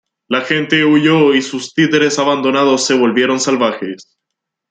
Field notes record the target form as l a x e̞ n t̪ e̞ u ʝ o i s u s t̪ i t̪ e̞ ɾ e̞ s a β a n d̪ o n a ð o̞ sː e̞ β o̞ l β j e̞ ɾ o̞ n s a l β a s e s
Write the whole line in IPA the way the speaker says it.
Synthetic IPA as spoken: l a x e̞ n t̪ e̞ u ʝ o i s u s t̪ i t̪ e̞ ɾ e̞ s a β a n d̪ o n a ð o̞ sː e̞ β o̞ l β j e̞ ɾ o̞ n s a l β a x e s

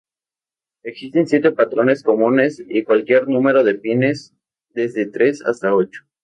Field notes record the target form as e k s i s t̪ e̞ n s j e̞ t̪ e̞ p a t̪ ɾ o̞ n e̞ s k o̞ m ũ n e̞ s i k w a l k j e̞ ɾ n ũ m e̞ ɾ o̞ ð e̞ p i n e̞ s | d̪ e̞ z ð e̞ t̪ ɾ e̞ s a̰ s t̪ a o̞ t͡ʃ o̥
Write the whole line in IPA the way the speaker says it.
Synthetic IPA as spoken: e k s i s t̪ e̞ n s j e̞ t̪ e̞ p a t̪ ɾ o̞ n e̞ s k o̞ m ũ n e̞ s i k w a l k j e̞ ɾ n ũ m e̞ ɾ o̞ ð e̞ p i n e̞ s | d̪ e̞ z ð e̞ t̪ ɾ e̞ s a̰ s t̪ a o̞ t͡ʃ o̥

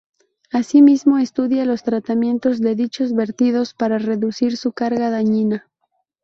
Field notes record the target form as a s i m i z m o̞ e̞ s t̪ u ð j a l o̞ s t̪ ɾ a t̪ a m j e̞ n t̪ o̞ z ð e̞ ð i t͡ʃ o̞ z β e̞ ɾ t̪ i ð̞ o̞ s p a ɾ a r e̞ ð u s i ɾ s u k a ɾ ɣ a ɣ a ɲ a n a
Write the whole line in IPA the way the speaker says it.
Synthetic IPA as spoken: a s i m i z m o̞ e̞ s t̪ u ð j a l o̞ s t̪ ɾ a t̪ a m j e̞ n t̪ o̞ z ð e̞ ð i t͡ʃ o̞ z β e̞ ɾ t̪ i ð̞ o̞ s p a ɾ a r e̞ ð u s i ɾ s u k a ɾ ɣ a ð a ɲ i n a

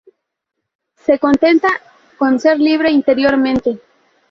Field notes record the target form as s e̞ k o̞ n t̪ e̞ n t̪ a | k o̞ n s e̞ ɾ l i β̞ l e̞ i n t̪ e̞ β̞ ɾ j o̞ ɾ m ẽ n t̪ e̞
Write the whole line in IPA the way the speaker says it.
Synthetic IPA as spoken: s e̞ k o̞ n t̪ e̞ n t̪ a | k o̞ n s e̞ ɾ l i β̞ ɾ e̞ i n t̪ e̞ ɾ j o̞ ɾ m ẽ n t̪ e̞

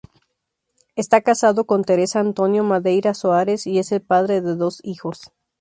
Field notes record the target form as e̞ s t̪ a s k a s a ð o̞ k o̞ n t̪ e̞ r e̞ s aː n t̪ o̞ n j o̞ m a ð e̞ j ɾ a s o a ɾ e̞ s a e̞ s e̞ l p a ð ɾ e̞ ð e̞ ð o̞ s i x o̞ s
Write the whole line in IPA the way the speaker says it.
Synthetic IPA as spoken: e̞ s t̪ a k a s a ð o̞ k o̞ n t̪ e̞ ɾ e̞ s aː n t̪ o̞ n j o̞ m a ð e̞ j ɾ a s o a ɾ e̞ s i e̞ s e̞ l p a ð ɾ e̞ ð e̞ ð o̞ s i x o̞ s

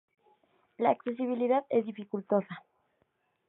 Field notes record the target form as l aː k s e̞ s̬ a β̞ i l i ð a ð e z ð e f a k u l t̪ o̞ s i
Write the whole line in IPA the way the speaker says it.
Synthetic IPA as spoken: l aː k s e̞ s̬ i β̞ i l i ð a ð e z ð i f i k u l t̪ o̞ s a

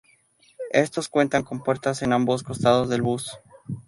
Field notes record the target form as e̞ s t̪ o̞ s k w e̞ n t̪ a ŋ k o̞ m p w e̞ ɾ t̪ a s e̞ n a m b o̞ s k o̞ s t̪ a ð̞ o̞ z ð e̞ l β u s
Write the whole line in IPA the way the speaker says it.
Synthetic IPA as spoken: e̞ s t̪ o̞ s k w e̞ n t̪ a ŋ k o̞ m p w e̞ ɾ t̪ a s e̞ n a m b o̞ s k o̞ s t̪ a ð̞ o̞ z ð e̞ l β u s

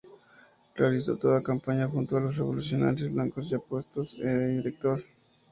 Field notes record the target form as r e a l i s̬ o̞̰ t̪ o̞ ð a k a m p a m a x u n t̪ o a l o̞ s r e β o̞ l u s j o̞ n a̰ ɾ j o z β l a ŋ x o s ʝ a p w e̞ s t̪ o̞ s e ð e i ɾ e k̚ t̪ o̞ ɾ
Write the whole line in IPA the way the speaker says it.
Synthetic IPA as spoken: r e a l i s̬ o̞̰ t̪ o̞ ð a k a m p a ɲ a x u n t̪ o a l o̞ s r e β o̞ l u s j o̞ n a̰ ɾ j o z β l a ŋ k o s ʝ a p w e̞ s t̪ o̞ s e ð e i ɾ e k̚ t̪ o̞ ɾ

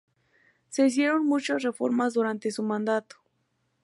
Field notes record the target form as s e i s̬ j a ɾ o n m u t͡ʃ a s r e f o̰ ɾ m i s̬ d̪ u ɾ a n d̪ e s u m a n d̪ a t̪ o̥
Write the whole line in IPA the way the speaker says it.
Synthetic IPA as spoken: s e i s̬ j e ɾ o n m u t͡ʃ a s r e f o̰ ɾ m a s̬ d̪ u ɾ a n t̪ e s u m a n d̪ a t̪ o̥

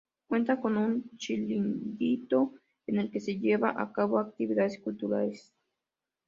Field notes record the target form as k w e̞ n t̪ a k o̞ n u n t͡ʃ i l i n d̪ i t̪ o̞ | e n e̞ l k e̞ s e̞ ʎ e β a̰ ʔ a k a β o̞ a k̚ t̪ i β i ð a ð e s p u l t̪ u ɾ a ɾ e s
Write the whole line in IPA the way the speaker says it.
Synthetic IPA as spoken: k w e̞ n t̪ a k o̞ n u n t͡ʃ i l i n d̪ i t̪ o̞ | e n e̞ l k e̞ s e̞ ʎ e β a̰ ʔ a k a β o̞ a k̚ t̪ i β i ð a ð e s k u l t̪ u ɾ a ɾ e s

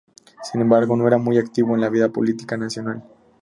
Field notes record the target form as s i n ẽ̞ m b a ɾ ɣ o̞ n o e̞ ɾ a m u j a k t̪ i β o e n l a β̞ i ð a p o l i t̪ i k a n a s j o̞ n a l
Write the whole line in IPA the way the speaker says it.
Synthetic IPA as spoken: s i n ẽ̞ m b a ɾ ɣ o̞ n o e̞ ɾ a m u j a k t̪ i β o e n l a β̞ i ð a p o l i t̪ i k a n a s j o̞ n a l

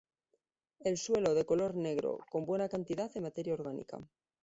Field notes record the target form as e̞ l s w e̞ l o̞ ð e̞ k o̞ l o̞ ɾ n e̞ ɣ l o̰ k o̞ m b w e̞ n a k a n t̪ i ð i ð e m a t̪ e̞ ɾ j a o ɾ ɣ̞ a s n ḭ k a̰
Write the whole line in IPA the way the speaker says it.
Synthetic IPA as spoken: e̞ l s w e̞ l o̞ ð e̞ k o̞ l o̞ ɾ n e̞ ɣ ɾ o̰ k o̞ m b w e̞ n a k a n t̪ i ð a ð e m a t̪ e̞ ɾ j a o ɾ ɣ̞ a n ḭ k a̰

